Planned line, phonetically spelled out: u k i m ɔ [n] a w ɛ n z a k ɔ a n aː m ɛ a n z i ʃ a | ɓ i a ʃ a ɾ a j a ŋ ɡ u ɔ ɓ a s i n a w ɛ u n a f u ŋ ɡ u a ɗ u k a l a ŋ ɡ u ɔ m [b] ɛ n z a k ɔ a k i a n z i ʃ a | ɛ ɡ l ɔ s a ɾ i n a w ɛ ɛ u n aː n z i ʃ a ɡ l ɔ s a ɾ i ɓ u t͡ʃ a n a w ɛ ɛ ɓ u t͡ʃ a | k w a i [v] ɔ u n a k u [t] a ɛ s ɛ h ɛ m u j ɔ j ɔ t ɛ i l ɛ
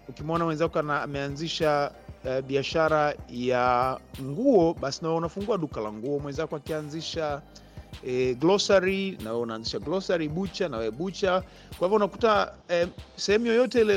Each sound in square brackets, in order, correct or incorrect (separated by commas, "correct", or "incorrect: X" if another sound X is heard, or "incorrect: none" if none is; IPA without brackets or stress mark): correct, incorrect: w, correct, correct